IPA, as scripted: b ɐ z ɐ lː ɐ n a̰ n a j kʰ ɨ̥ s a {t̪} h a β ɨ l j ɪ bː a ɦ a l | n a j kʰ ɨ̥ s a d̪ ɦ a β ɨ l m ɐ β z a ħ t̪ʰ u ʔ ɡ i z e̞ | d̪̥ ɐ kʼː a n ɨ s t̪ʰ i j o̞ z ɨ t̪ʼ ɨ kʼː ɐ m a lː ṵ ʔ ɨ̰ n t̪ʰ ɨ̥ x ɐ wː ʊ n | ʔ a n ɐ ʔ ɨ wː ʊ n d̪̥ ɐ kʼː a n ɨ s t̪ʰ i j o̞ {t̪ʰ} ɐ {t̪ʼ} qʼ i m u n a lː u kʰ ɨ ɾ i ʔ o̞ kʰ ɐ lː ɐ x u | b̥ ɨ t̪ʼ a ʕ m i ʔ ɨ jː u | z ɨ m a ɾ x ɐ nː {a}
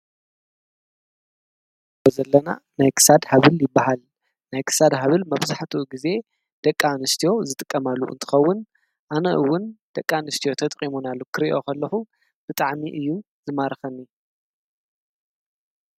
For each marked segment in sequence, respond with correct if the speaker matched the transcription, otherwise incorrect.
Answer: incorrect: d̪, correct, correct, incorrect: i

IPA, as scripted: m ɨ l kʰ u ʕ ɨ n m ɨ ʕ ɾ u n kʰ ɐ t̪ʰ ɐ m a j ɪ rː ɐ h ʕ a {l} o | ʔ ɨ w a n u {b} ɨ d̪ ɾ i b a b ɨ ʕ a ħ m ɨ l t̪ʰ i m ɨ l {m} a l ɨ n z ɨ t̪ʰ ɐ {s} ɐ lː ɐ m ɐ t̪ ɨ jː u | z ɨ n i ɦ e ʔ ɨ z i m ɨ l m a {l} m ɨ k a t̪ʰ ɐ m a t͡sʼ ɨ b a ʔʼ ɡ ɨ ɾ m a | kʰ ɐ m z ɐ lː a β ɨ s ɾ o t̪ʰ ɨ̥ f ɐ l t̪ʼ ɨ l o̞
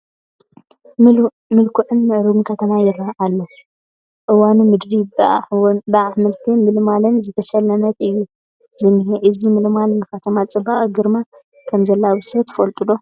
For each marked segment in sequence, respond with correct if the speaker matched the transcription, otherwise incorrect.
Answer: incorrect: lː, incorrect: m, correct, incorrect: ʃ, correct

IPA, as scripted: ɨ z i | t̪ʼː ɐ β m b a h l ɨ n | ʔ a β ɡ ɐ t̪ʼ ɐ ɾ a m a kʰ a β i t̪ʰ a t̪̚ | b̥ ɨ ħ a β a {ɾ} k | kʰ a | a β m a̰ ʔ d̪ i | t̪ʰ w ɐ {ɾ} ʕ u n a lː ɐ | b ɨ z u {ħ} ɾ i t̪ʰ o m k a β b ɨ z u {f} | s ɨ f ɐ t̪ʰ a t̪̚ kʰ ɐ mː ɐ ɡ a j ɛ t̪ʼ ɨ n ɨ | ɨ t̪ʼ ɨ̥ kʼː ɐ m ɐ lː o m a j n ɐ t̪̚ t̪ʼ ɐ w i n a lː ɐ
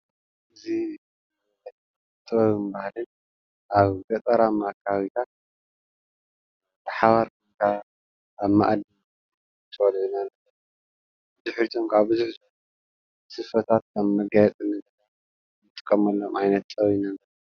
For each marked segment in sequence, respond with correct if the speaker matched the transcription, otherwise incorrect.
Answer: correct, incorrect: l, correct, incorrect: ħ

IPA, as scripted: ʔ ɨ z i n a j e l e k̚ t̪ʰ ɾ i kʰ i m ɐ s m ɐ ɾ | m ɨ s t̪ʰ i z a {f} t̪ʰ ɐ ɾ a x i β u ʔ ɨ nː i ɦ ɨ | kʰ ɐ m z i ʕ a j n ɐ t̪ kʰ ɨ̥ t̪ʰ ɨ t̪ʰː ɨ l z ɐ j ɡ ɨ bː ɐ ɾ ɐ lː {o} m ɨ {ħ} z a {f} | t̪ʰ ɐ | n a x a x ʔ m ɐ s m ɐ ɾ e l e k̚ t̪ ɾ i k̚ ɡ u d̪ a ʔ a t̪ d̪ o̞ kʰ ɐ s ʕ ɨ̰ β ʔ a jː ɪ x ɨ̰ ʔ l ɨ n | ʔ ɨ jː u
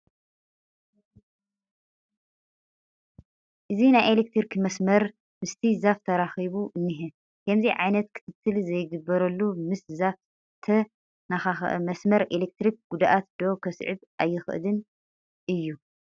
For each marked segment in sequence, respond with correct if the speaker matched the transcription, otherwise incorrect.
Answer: correct, incorrect: u, incorrect: s, correct

